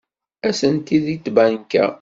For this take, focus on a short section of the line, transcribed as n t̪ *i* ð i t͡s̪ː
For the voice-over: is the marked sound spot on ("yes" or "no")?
yes